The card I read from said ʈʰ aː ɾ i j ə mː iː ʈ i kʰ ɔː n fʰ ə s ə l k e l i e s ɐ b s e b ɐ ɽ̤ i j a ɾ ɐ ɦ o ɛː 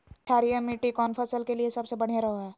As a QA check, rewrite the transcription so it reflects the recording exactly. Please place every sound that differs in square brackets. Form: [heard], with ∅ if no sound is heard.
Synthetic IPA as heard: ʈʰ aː ɾ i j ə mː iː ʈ i [k] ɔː n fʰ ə s ə l k e l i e s ɐ b s e b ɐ ɽ̤ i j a ɾ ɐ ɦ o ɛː